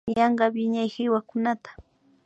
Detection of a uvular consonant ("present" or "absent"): present